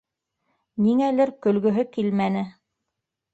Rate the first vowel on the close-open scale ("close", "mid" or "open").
close